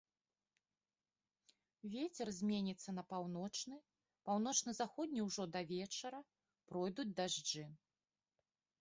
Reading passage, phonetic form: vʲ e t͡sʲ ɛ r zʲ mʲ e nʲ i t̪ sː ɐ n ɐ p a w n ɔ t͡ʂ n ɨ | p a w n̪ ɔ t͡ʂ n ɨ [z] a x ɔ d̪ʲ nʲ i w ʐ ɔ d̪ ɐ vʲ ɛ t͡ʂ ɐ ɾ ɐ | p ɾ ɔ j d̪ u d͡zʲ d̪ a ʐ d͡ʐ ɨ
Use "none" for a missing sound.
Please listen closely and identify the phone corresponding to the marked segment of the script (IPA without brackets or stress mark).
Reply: z